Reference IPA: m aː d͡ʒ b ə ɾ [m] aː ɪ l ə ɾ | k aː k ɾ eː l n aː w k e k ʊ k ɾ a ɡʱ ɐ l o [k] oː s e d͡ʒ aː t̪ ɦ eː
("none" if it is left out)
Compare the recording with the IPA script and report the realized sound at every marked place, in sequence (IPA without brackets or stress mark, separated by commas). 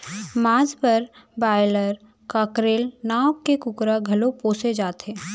b, p